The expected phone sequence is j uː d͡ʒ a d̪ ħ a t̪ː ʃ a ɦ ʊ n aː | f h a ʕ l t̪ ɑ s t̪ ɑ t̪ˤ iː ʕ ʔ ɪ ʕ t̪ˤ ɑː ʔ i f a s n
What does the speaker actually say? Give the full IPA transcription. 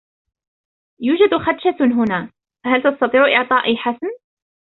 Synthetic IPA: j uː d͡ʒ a d̪ x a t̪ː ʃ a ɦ ʊ n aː | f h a l t̪ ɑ s t̪ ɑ t̪ˤ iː ʕ ʔ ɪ ʕ t̪ˤ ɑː ʔ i ħ a s n

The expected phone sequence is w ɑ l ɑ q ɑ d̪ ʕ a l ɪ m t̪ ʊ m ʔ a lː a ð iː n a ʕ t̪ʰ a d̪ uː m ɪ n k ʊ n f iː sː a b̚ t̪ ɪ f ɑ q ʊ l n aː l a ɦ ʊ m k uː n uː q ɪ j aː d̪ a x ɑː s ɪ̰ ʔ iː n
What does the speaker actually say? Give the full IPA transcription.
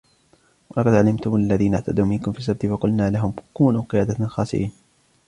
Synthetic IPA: w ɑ l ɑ q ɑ d̪ ʕ a l ɪ m t̪ ʊ m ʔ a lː a ð iː n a ʕ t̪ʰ a d̪ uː m ɪ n k ʊ m f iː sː a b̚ t̪ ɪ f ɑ q ʊ l n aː l a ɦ ʊ m k uː n uː q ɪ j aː d̪ a x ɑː s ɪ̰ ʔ iː n

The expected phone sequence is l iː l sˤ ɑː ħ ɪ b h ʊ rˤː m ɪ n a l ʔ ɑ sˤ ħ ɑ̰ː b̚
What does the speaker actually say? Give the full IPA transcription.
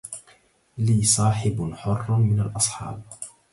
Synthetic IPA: l iː sˤ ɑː ħ ɪ b ħ ʊ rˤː m ɪ n a l ʔ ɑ sˤ ħ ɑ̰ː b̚

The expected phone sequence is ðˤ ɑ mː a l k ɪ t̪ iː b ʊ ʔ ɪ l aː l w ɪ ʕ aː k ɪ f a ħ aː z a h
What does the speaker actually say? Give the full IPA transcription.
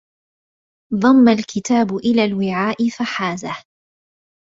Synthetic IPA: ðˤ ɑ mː a l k ɪ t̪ aː b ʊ ʔ ɪ l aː l w ɪ ʕ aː ʔ ɪ f a ħ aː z a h

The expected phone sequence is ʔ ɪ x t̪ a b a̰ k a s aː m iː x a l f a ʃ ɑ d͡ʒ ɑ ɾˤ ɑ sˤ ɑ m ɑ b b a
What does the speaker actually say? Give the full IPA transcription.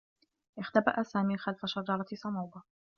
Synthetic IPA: ʔ ɪ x t̪ a b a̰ ʔ a s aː m iː x a l f a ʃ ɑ d͡ʒ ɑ ɾˤ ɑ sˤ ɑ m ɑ w b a

